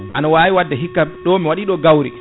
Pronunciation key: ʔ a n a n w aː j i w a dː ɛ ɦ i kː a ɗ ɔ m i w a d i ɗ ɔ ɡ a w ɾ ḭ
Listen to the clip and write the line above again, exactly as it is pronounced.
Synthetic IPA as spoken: ʔ a n a w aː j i w a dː ɛ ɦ i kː a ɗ ɔ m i w a ɗ i ɗ ɔ ɡ a w ɾ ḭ